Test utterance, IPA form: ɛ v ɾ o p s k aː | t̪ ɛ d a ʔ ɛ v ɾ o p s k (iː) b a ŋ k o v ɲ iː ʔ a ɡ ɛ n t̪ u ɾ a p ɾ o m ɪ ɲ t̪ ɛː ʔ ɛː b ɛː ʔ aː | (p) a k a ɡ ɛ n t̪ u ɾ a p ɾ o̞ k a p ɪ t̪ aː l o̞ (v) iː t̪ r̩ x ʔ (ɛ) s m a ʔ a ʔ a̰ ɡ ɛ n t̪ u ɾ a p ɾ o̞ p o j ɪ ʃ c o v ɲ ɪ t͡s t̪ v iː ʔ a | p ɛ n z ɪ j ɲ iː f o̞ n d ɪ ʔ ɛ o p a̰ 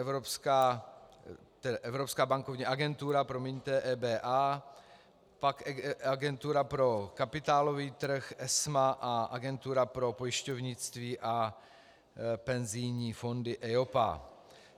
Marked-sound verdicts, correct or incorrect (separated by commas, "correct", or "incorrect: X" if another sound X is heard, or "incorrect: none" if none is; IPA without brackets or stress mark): incorrect: aː, correct, correct, correct